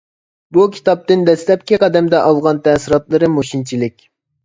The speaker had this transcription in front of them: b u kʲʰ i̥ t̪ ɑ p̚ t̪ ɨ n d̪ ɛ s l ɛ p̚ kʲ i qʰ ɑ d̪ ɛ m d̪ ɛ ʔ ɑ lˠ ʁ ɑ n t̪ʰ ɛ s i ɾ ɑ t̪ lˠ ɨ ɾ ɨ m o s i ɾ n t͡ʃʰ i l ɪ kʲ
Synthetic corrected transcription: b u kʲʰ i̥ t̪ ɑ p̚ t̪ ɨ n d̪ ɛ s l ɛ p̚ kʲ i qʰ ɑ d̪ ɛ m d̪ ɛ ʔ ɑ lˠ ʁ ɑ n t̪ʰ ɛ s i ɾ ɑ t̪ lˠ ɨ ɾ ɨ m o ʃ i n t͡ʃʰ i l ɪ kʲ